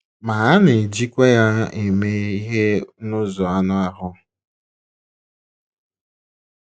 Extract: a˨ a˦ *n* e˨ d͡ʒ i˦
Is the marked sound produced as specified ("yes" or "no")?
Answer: yes